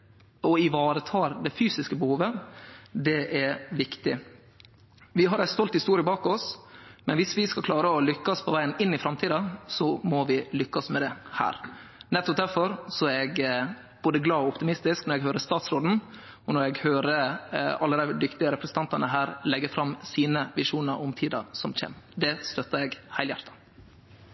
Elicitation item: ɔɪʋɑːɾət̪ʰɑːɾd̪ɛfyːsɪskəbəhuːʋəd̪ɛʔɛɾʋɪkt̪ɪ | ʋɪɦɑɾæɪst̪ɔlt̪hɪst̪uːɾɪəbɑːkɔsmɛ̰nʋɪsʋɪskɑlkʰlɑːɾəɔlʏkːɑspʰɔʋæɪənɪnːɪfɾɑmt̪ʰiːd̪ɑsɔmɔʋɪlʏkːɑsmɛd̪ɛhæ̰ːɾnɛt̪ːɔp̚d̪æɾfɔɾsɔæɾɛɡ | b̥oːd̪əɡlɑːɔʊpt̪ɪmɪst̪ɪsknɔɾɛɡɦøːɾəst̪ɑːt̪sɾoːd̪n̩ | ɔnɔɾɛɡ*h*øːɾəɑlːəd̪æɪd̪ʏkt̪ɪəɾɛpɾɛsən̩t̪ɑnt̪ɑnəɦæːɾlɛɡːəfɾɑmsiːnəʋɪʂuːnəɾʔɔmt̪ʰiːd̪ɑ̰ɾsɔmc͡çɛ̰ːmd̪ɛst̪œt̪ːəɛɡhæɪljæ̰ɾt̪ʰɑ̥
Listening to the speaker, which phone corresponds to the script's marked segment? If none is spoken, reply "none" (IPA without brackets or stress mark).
h